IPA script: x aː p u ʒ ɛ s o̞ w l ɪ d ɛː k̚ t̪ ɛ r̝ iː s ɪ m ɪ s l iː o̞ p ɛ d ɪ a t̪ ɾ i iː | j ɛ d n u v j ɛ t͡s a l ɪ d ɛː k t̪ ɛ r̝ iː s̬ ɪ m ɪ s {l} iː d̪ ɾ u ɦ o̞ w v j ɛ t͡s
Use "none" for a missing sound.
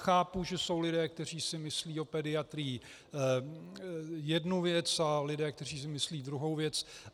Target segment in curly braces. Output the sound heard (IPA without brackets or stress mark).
l